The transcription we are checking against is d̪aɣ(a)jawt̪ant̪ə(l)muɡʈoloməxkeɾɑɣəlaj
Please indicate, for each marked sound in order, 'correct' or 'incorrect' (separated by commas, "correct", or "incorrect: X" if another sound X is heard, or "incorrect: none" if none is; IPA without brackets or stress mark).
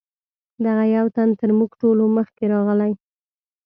correct, incorrect: ɾ